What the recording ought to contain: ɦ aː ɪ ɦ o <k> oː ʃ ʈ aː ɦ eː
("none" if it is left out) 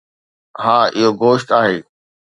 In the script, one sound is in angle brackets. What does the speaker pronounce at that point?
ɡ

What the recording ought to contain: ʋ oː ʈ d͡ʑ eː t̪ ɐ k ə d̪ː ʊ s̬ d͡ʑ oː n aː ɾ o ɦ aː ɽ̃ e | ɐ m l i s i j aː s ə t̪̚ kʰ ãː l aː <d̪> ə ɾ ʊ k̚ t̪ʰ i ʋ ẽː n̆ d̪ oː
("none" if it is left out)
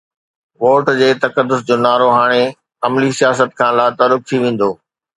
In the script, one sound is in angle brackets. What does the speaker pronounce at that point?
t̪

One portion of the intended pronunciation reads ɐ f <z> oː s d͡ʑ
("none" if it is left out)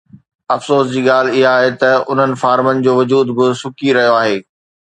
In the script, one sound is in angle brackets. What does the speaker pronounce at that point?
s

